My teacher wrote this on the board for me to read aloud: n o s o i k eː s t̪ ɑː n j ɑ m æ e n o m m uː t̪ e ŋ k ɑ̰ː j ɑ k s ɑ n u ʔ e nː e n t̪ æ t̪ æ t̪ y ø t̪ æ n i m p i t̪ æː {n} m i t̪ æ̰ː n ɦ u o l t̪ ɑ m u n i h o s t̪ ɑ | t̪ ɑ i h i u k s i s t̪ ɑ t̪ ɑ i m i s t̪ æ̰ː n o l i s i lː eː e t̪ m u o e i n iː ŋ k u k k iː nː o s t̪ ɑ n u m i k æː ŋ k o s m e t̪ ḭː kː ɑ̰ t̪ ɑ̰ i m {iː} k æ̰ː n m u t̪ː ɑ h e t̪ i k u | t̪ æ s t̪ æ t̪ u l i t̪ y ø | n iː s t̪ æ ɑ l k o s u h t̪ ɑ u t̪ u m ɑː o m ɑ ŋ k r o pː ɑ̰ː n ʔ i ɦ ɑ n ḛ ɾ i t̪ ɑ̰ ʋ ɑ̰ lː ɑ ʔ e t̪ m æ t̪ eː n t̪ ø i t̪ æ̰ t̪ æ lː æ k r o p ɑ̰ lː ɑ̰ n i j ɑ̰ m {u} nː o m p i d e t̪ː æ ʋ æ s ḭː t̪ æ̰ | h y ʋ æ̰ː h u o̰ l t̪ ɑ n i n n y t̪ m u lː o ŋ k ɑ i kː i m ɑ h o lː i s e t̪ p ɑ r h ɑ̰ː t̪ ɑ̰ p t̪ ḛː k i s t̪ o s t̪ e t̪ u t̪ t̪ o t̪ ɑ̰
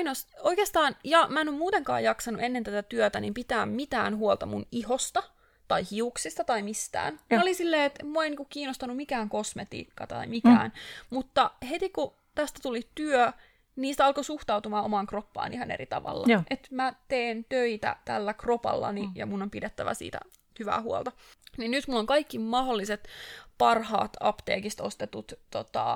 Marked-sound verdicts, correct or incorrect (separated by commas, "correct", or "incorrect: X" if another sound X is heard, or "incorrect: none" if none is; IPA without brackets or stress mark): incorrect: m, incorrect: i, correct